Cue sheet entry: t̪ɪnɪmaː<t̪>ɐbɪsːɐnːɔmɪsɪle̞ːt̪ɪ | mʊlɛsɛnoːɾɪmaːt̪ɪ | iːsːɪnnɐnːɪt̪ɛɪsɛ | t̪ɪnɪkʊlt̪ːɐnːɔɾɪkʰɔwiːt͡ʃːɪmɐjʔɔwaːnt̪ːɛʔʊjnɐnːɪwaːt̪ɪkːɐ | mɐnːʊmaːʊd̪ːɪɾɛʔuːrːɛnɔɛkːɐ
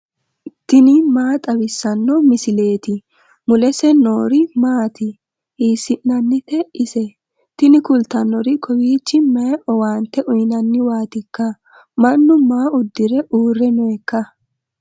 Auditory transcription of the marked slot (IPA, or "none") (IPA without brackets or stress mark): t̪ʼ